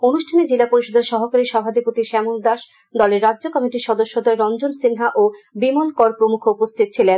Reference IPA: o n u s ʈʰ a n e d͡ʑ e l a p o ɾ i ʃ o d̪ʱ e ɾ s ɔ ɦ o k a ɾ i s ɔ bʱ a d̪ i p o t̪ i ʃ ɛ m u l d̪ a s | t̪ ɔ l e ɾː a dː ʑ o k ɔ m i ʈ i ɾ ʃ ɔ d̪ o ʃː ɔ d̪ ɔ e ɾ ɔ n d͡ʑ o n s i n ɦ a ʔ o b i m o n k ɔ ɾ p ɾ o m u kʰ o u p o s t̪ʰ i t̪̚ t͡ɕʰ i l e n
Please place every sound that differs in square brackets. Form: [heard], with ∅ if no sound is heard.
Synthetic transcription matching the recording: o n u [ʃ] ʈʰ a n e d͡ʑ e l a p o ɾ i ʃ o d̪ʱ e ɾ [ʃ] ɔ ɦ o k a ɾ i [ʃ] ɔ bʱ a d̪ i p o t̪ i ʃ ɛ m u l d̪ a [ʃ] | [d̪] ɔ l e ɾː a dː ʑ o k ɔ m i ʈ i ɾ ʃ ɔ d̪ o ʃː [o] d̪ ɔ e ɾ ɔ n d͡ʑ o n s i n ɦ a ʔ o b i m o n k ɔ ɾ p ɾ o m u kʰ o u p o s t̪ʰ i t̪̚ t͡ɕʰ i l e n